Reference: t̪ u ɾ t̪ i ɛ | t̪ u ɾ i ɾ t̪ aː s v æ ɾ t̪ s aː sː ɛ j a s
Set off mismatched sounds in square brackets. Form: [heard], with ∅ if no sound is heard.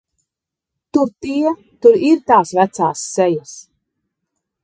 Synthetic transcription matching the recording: t̪ u ɾ t̪ i ɛ | t̪ u ɾ i ɾ t̪ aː s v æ [∅] t̪ s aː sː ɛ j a s